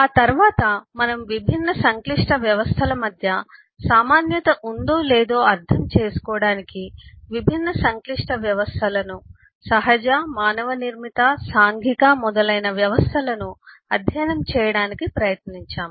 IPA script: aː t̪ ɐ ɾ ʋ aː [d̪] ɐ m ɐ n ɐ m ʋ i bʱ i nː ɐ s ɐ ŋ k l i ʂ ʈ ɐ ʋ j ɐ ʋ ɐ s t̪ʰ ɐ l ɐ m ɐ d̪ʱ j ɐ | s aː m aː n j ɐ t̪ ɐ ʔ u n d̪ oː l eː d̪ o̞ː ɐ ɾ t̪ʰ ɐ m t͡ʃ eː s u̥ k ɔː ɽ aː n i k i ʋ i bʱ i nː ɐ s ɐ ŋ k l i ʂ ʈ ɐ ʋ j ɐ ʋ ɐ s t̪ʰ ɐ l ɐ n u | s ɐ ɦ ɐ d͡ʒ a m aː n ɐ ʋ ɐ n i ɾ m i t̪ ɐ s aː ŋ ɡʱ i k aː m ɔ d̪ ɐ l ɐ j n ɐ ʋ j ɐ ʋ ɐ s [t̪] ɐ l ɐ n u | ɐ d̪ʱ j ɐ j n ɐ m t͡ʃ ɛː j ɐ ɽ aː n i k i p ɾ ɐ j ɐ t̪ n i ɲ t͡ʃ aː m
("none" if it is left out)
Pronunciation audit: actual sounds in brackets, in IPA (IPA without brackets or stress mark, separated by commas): t̪, t̪ʰ